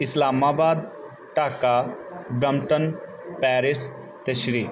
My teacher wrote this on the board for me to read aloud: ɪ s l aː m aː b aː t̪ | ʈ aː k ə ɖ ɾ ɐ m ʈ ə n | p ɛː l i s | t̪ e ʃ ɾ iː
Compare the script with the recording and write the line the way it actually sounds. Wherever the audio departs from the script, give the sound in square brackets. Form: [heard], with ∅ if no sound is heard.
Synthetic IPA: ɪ s l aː m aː b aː [d̪] | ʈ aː k [a] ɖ ɾ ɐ m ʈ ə n | p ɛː [ɾ] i s | t̪ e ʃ ɾ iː